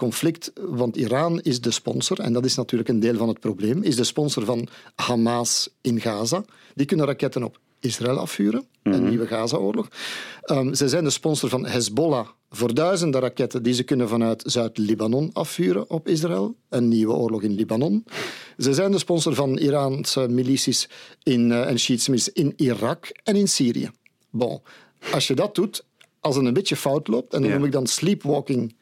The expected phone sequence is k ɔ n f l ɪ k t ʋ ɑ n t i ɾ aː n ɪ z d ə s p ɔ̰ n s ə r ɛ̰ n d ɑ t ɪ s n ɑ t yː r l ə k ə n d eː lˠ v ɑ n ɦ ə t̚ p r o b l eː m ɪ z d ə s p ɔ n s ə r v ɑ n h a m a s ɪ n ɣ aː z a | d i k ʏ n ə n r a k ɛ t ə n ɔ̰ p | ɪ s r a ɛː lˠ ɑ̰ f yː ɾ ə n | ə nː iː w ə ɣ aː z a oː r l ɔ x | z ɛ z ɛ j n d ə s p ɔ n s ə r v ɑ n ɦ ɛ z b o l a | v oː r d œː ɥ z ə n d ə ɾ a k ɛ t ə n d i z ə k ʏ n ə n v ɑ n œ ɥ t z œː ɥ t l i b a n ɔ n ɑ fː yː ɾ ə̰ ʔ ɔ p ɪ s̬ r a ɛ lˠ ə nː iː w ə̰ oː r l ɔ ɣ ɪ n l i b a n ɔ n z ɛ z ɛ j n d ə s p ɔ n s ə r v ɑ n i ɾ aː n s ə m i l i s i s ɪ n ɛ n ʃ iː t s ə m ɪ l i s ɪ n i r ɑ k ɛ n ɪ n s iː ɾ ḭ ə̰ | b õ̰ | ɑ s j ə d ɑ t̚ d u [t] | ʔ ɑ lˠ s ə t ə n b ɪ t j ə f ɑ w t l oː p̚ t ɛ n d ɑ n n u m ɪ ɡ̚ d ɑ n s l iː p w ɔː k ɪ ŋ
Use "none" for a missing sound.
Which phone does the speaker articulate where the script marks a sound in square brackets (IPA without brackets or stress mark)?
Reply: t